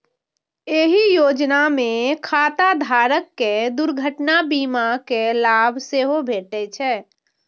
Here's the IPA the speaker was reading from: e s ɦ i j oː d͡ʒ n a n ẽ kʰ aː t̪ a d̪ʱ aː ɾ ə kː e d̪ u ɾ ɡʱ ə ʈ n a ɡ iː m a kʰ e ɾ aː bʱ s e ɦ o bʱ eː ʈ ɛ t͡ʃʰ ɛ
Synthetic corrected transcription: e ɦ i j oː d͡ʒ n a m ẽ kʰ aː t̪ a d̪ʱ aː ɾ ə kː e d̪ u ɾ ɡʱ ə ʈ n a b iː m a k e l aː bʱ s e ɦ o bʱ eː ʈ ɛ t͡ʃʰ ɛ